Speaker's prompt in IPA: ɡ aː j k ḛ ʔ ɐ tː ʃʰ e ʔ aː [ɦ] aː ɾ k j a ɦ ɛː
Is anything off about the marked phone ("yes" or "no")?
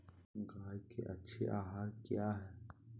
no